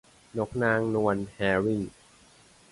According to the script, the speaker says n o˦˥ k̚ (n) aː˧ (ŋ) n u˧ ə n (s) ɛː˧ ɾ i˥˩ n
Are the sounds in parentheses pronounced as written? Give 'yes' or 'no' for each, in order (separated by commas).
yes, yes, no